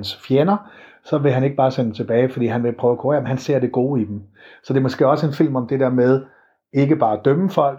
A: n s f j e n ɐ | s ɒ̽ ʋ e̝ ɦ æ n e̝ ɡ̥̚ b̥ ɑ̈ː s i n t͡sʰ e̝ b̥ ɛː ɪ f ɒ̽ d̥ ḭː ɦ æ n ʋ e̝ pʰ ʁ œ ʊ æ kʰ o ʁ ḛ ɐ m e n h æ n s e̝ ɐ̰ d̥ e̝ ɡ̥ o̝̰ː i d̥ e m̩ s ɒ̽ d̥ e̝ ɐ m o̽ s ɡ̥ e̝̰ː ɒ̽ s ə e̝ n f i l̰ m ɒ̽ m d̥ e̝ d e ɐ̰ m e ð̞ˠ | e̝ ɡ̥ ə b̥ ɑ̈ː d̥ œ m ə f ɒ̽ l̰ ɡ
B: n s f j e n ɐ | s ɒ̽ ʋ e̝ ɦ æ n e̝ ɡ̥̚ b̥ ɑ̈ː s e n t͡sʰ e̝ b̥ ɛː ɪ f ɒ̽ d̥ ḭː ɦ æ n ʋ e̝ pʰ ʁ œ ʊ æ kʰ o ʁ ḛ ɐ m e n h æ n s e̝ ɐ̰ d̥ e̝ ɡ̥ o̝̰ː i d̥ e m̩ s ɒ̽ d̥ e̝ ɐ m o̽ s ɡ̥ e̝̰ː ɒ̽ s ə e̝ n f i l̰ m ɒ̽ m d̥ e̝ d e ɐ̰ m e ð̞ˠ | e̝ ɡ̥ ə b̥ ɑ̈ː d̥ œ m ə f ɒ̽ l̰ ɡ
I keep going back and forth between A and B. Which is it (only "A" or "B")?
B